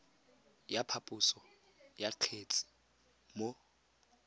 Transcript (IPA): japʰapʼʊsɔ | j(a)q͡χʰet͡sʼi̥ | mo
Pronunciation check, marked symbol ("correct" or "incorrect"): correct